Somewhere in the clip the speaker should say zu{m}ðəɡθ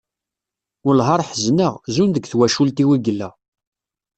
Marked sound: incorrect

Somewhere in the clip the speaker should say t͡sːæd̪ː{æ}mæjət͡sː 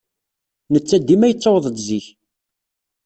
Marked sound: incorrect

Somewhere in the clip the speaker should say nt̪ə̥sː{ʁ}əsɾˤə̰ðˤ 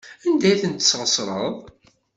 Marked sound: correct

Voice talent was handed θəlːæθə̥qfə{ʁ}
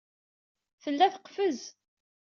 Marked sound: incorrect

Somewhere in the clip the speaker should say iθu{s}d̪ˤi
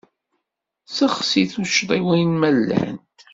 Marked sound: incorrect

